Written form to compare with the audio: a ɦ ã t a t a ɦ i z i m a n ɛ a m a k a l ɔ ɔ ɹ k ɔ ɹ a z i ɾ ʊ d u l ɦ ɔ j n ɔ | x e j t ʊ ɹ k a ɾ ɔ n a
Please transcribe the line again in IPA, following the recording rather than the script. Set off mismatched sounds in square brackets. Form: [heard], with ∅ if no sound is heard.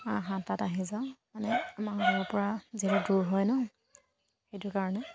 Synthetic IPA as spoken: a ɦ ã t a t a ɦ i z [a] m a n ɛ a m a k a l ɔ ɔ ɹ [p] ɔ ɹ a z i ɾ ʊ d u [ɹ] ɦ ɔ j n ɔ | x e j t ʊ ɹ k a [ɹ] ɔ n [ɛ]